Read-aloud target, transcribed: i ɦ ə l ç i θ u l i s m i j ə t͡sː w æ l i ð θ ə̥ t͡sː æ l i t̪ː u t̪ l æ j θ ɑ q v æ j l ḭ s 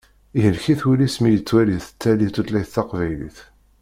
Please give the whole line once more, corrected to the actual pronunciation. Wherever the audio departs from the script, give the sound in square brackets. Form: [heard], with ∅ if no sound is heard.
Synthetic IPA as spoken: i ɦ ə l ç i θ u l i s m i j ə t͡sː w æ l i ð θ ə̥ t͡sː æ l i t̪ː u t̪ l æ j θ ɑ q v æ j l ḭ [θ]